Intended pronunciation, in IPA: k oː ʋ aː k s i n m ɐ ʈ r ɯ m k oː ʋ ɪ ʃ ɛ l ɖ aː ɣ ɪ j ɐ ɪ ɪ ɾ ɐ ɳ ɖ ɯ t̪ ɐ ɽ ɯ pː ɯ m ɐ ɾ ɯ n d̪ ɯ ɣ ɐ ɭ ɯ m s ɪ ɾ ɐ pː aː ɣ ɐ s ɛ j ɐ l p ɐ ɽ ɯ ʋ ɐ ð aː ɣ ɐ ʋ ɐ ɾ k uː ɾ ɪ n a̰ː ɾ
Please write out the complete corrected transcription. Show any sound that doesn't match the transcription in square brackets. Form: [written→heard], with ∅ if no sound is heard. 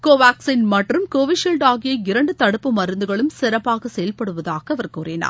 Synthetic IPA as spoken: k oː ʋ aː k s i n m ɐ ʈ r ɯ m k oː ʋ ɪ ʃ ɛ l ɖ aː ɣ ɪ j ɐ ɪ ɪ ɾ ɐ ɳ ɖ ɯ t̪ ɐ ɽ ɯ pː ɯ m ɐ ɾ ɯ n d̪ ɯ ɣ ɐ ɭ ɯ m s ɪ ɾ ɐ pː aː ɣ ɐ s ɛ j ɐ l p ɐ ɽ ɯ ʋ ɐ ð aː ɣ ɐ ʋ ɐ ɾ k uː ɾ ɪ n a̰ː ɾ